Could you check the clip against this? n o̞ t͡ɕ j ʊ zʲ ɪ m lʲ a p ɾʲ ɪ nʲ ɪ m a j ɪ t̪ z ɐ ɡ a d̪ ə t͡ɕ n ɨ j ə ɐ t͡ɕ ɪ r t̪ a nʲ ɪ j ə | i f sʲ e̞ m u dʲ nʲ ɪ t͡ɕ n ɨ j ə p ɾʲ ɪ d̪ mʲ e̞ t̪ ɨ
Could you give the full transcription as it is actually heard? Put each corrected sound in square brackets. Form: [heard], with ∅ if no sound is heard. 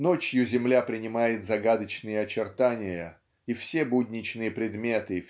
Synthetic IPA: n o̞ t͡ɕ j ʊ zʲ ɪ m lʲ a p ɾʲ ɪ nʲ ɪ m a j ɪ t̪ z ɐ ɡ a d̪ ə t͡ɕ n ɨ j ə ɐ t͡ɕ ɪ r t̪ a nʲ ɪ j ə | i f sʲ e̞ [b] u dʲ nʲ ɪ t͡ɕ n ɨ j ə p ɾʲ ɪ d̪ mʲ e̞ t̪ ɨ